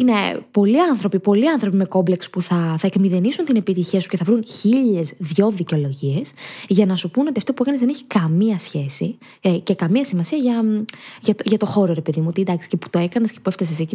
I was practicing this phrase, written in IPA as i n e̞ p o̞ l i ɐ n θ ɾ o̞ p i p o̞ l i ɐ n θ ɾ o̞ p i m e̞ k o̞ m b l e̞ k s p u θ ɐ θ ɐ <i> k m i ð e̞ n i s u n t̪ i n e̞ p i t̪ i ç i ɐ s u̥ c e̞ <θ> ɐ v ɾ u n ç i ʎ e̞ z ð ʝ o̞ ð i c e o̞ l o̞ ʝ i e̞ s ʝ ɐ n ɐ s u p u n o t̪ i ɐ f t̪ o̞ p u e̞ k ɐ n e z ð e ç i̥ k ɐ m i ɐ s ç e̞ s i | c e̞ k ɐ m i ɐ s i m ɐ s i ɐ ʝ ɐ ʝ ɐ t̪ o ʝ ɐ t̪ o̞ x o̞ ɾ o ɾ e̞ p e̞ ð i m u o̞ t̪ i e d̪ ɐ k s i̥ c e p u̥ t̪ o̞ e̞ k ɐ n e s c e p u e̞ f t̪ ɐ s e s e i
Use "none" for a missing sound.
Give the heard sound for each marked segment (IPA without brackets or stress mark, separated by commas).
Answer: e, θ